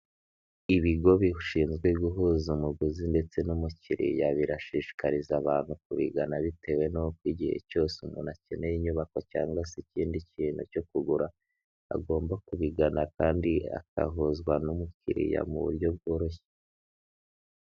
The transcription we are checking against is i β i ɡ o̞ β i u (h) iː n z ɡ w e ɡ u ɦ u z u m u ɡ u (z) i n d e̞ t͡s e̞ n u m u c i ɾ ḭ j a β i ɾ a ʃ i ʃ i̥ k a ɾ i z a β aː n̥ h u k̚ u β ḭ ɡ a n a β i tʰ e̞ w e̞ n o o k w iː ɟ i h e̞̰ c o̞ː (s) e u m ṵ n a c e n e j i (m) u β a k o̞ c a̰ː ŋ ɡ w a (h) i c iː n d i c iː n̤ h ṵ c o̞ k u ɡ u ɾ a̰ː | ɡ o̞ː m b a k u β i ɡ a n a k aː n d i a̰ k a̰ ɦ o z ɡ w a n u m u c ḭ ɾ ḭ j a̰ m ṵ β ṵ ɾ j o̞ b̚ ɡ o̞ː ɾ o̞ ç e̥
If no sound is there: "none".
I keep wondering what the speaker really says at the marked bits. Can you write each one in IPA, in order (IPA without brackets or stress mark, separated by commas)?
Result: ʃ, z, s, ɲ, s